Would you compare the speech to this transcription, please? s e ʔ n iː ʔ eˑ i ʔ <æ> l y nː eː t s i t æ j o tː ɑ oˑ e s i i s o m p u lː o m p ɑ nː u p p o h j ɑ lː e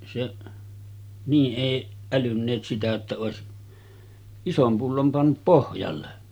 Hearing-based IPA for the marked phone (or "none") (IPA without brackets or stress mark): æ